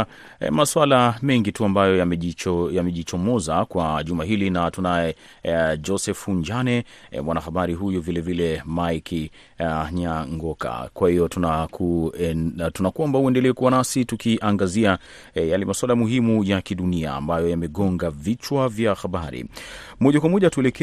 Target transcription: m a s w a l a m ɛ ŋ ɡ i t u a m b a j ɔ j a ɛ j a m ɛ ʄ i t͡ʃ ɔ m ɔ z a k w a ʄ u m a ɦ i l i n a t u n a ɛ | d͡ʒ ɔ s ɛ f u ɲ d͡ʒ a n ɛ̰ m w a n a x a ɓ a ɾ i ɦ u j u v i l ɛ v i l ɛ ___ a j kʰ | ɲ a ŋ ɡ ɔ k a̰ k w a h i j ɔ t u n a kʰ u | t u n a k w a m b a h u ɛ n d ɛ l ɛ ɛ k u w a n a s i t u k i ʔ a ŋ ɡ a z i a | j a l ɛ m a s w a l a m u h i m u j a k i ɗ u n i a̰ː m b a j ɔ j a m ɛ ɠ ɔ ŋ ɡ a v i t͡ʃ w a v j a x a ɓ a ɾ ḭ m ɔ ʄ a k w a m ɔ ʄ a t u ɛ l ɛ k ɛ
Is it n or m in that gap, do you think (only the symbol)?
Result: m